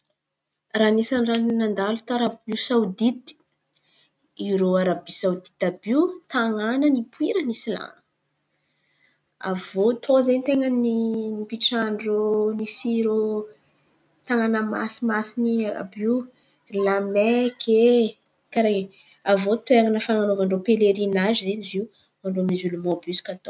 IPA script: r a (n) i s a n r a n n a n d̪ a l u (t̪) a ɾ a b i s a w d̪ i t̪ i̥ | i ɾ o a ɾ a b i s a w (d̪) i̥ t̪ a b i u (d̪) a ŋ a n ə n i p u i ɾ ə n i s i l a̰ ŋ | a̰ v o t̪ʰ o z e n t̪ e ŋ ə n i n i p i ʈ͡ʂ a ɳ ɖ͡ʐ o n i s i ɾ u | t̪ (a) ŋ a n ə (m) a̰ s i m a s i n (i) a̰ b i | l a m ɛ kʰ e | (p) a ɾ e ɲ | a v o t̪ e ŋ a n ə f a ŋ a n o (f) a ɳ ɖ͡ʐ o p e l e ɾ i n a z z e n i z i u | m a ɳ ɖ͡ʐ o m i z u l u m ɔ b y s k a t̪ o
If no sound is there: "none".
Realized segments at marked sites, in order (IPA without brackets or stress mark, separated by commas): n, t̪, d̪, t̪, a, m, i, k, v